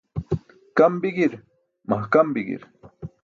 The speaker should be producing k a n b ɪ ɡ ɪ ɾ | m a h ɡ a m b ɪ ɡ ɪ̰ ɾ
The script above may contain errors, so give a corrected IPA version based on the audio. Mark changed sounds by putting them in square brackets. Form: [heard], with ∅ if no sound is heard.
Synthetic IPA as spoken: k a [m] b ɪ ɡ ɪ ɾ | m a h [k] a m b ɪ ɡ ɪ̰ ɾ